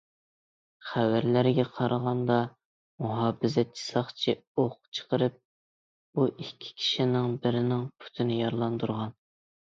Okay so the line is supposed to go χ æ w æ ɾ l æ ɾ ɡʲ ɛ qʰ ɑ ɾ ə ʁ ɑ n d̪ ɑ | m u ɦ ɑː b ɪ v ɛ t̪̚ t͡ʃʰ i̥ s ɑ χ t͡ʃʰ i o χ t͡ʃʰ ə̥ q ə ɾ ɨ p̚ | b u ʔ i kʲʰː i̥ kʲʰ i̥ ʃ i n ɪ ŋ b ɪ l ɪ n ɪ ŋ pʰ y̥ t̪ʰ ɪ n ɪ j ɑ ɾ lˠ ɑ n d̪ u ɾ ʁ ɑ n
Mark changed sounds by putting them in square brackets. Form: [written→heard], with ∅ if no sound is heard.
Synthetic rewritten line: χ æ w æ ɾ l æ ɾ ɡʲ ɛ qʰ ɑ ɾ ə ʁ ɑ n d̪ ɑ | m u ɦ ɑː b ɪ [v→z] ɛ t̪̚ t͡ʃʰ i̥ s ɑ χ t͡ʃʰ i o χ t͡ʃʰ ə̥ q ə ɾ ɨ p̚ | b u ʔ i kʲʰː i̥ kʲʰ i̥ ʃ i n ɪ ŋ b ɪ [l→ɾ] ɪ n ɪ ŋ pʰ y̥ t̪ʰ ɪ n ɪ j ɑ ɾ lˠ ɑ n d̪ u ɾ ʁ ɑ n